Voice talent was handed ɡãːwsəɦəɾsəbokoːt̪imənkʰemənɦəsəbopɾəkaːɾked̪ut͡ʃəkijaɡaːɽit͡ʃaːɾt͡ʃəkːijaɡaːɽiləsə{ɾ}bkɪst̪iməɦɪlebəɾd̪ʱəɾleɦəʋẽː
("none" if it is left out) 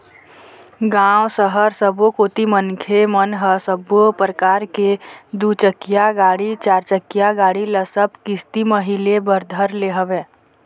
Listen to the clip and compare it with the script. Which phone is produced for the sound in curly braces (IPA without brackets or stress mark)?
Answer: none